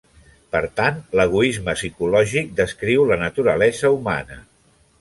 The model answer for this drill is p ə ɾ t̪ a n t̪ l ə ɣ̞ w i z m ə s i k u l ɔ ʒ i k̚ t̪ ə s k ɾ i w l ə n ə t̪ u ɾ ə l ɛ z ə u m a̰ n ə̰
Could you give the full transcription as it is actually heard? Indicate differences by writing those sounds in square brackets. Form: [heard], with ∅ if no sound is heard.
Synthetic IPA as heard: p ə ɾ t̪ a n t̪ l ə ɣ̞ [u] i z m ə s i k u l ɔ ʒ i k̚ [d̪] ə s k ɾ i w l ə n ə t̪ u ɾ ə l ɛ z ə u m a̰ n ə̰

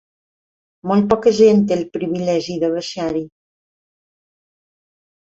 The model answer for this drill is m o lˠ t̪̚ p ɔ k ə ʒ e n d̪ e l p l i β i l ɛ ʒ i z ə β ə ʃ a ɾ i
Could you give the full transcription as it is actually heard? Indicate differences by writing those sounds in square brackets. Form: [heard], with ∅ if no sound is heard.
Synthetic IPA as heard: m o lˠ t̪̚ p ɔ k ə ʒ e n [t̪] e l p [ɾ] i β i l ɛ ʒ i [ð] ə β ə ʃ a ɾ i

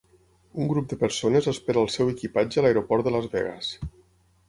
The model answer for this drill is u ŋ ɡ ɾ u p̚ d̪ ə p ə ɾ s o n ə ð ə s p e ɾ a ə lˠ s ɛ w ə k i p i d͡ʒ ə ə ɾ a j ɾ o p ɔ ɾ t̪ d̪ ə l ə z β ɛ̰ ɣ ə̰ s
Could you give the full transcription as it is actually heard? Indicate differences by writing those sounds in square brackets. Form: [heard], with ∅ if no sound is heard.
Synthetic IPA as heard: u ŋ ɡ ɾ u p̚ d̪ ə p ə ɾ s o n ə [z] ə s p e ɾ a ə lˠ s ɛ w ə k i p [a] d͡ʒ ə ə [l] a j ɾ o p ɔ ɾ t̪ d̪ ə l ə z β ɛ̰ ɣ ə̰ s

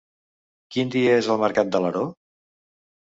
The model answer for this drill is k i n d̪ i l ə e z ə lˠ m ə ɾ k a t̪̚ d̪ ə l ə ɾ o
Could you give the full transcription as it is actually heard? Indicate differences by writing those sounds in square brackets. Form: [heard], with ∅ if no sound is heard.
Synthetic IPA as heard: k i n d̪ i [∅] ə e z ə lˠ m ə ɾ k a t̪̚ d̪ ə l ə ɾ o

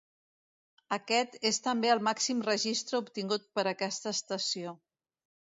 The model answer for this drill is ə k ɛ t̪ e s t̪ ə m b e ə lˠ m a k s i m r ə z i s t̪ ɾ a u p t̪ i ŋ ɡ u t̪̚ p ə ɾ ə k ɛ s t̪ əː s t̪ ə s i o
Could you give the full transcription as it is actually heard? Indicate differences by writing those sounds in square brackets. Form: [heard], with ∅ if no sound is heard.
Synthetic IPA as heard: ə k ɛ t̪ e s t̪ ə m b e ə lˠ m a k s i m r ə [ʒ] i s t̪ ɾ [ə] u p t̪ i ŋ ɡ u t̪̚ p ə ɾ ə k ɛ s t̪ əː s t̪ ə s i o

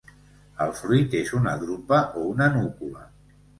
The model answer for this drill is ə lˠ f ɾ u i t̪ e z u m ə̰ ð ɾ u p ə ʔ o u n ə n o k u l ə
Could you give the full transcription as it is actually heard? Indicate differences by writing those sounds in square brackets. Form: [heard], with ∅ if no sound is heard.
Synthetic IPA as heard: ə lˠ f ɾ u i t̪ e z u [n] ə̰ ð ɾ u p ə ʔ o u n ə n [u] k u l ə

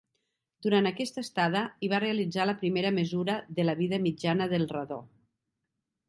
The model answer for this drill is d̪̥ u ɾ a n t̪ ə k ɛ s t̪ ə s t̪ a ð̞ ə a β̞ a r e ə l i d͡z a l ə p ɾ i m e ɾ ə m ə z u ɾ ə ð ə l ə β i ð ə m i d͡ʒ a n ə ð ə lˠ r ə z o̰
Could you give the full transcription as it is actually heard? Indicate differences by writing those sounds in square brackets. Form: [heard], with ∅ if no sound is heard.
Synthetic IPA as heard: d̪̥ u ɾ a n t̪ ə k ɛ s t̪ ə s t̪ a ð̞ ə [i] β̞ a r e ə l i d͡z a l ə p ɾ i m e ɾ ə m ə z u ɾ ə ð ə l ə β i ð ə m i d͡ʒ a n ə ð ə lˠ r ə [ð] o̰

